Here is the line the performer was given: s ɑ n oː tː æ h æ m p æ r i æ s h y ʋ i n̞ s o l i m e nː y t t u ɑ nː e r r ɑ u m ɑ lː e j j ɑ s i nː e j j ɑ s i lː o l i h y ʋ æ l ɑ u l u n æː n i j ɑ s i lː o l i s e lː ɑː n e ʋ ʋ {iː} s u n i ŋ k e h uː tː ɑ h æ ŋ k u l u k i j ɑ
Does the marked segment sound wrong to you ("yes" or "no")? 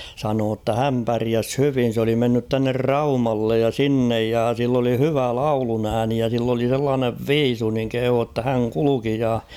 no